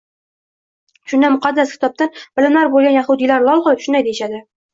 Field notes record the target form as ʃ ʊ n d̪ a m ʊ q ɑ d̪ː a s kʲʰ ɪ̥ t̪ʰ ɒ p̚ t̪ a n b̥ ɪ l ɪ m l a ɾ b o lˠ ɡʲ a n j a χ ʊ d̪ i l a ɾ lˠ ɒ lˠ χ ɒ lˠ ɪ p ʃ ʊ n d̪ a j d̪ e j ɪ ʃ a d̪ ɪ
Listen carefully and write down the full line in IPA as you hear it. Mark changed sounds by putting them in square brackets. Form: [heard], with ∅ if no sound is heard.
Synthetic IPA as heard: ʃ ʊ n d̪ a m ʊ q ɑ d̪ː a s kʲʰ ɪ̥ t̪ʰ ɒ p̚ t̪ a n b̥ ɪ l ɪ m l a ɾ b o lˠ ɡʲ a n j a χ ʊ d̪ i l a ɾ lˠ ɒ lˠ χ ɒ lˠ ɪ p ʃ ʊ n d̪ a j d̪ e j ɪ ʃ a d̪ ɪ